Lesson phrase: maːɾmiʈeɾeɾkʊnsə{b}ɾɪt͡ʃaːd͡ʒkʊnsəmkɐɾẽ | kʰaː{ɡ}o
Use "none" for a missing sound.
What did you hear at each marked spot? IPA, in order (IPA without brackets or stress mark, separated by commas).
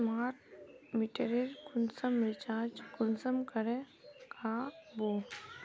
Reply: m, b